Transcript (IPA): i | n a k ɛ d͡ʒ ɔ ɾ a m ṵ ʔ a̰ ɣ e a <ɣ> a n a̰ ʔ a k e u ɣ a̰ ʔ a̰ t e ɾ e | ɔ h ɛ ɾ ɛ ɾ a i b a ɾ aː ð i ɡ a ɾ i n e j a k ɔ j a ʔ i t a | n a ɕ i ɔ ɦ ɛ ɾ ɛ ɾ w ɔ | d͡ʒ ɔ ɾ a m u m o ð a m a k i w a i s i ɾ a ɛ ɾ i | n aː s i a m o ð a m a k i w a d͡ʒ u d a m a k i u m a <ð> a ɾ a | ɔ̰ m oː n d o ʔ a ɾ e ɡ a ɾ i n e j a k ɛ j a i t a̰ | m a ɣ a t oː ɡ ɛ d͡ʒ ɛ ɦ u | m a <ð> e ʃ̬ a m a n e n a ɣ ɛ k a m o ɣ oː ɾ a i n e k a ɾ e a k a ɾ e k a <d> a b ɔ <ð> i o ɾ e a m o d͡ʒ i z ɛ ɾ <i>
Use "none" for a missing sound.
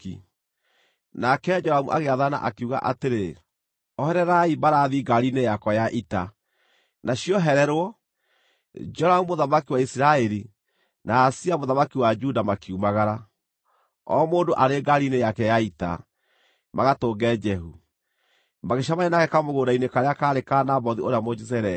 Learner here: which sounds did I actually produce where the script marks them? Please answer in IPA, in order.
ð, ɣ, ɣ, n, ð, ɛ

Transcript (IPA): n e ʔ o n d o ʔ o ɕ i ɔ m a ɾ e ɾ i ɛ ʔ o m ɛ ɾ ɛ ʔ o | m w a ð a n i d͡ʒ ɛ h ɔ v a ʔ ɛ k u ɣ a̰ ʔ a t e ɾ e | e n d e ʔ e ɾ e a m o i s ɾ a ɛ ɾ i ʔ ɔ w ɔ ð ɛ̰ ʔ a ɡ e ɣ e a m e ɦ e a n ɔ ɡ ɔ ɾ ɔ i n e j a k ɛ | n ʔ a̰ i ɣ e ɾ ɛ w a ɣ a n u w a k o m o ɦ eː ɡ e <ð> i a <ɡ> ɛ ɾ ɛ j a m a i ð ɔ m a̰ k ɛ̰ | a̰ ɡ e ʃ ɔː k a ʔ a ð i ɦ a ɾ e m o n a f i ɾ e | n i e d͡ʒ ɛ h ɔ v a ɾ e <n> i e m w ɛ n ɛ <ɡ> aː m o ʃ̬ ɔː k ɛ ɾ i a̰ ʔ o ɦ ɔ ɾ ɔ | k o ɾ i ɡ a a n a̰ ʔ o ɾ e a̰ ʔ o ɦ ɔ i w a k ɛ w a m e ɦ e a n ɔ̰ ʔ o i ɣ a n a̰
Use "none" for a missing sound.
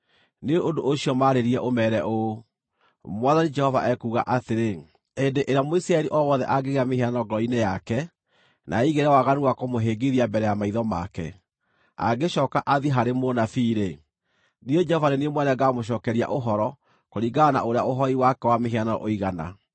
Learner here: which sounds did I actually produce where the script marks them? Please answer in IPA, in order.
ð, b, n, ɡ

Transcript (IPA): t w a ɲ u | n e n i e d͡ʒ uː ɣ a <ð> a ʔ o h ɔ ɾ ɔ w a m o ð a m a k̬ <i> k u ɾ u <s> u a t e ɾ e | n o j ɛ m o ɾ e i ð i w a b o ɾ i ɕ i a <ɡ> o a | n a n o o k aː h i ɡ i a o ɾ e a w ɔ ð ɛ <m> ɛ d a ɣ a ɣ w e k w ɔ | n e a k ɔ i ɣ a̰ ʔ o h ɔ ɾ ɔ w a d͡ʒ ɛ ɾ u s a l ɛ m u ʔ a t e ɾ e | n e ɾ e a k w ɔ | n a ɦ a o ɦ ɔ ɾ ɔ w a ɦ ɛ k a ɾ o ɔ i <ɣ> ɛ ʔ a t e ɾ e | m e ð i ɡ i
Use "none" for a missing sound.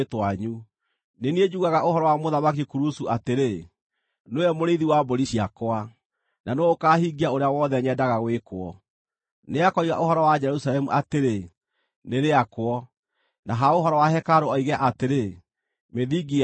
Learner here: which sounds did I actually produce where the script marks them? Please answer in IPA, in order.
ɣ, i, s, k, ɲ, ɣ

